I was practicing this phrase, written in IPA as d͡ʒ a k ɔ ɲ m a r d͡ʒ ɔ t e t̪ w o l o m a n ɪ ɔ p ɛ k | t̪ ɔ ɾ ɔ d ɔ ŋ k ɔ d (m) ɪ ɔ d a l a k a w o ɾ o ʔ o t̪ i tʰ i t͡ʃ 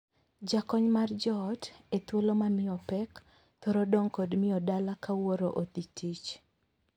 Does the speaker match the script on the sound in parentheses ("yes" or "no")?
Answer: yes